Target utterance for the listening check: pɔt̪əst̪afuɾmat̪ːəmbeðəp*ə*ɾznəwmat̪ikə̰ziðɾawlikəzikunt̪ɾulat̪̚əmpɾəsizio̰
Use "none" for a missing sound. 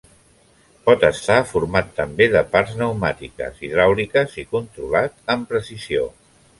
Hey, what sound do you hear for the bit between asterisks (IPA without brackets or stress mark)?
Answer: a